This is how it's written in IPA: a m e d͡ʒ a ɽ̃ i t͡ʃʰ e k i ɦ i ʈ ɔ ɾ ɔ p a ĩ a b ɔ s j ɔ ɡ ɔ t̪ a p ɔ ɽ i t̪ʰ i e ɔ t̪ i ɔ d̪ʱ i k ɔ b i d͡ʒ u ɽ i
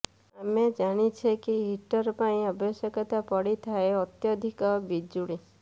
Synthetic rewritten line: a m e d͡ʒ a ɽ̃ i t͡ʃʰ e k i ɦ i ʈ ɔ ɾ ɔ p a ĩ a b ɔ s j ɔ k ɔ t̪ a p ɔ ɽ i t̪ʰ a e ɔ t̪ j ɔ d̪ʱ i k ɔ b i d͡ʒ u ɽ i